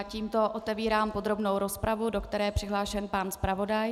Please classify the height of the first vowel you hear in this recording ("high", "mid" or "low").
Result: high